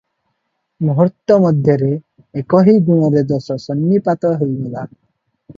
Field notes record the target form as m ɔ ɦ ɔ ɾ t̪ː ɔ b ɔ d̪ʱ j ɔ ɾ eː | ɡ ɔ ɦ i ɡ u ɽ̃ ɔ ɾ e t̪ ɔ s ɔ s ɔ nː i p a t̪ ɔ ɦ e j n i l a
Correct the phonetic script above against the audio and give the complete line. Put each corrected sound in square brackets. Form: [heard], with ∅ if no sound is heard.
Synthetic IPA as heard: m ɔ ɦ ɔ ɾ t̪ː ɔ [m] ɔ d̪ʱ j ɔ ɾ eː | [k] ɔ ɦ i ɡ u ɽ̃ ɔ ɾ e [d̪] ɔ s ɔ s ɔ nː i p a t̪ ɔ ɦ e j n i l a